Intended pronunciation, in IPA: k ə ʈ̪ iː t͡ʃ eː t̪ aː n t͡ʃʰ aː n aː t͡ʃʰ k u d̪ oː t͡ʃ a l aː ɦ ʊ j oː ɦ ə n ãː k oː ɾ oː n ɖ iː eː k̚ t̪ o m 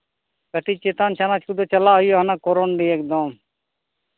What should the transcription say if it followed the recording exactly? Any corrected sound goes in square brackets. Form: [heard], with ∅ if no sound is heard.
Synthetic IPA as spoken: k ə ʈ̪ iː t͡ʃ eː t̪ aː n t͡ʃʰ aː n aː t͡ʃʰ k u d̪ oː t͡ʃ [ə] l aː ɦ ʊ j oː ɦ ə n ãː k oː ɾ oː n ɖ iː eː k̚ [d̪] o m

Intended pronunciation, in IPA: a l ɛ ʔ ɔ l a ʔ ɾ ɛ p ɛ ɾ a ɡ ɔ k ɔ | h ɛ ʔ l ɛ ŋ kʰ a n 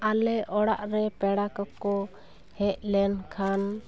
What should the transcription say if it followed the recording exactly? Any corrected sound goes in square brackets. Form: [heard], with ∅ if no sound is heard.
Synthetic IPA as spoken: a l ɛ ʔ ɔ [ɽ] a ʔ ɾ ɛ p ɛ [ɽ] a [k] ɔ k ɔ | h ɛ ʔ l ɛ [n] kʰ a n

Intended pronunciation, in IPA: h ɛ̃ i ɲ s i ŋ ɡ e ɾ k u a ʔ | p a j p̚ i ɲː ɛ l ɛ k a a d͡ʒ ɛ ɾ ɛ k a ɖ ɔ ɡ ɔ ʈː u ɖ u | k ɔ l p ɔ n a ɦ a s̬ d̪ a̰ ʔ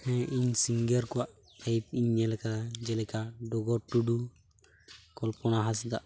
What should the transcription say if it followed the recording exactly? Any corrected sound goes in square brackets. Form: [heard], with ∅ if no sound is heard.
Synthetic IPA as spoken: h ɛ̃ i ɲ s i ŋ ɡ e ɾ k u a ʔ | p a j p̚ i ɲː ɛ l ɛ k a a d͡ʒ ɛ [l] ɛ k a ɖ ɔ ɡ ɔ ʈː u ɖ u | k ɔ l p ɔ n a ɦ a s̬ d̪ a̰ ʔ

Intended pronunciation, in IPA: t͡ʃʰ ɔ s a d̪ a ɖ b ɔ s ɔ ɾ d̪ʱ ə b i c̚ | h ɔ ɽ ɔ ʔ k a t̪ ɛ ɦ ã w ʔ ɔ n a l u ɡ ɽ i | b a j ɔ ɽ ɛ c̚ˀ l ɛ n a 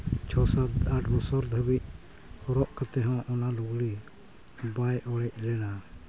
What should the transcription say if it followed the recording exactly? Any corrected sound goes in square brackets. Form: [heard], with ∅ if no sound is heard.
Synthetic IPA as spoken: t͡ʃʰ ɔ s a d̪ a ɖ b ɔ s ɔ ɾ d̪ʱ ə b i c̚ | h ɔ [ɾ] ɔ ʔ k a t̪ ɛ ɦ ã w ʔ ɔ n a l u ɡ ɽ i | b a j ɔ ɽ ɛ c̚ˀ l ɛ n a

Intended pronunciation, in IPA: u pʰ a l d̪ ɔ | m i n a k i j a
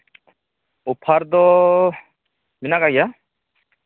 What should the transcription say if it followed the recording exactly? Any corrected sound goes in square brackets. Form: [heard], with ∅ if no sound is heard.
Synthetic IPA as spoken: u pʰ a [ɾ] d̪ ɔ | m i n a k [a] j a

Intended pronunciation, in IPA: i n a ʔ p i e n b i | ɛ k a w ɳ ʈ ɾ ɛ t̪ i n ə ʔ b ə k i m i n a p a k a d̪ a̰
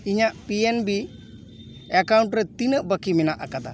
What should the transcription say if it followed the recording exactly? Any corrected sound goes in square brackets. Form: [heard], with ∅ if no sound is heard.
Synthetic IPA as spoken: i [ɲ] a ʔ p i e n b i | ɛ k a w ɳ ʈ ɾ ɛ t̪ i n ə ʔ b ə k i m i n a [ʔ] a k a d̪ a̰

